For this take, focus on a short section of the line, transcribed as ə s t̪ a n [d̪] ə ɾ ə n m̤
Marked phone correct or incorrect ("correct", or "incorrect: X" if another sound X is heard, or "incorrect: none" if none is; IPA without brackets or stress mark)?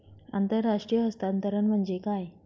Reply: incorrect: t̪